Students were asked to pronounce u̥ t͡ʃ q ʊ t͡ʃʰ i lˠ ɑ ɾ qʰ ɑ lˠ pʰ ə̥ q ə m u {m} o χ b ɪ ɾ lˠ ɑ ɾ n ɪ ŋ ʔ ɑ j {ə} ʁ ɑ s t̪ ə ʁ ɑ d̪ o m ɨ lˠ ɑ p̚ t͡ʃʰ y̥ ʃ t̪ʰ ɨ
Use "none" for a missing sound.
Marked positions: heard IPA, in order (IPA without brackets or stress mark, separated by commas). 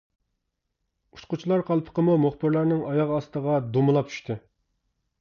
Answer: m, ɑ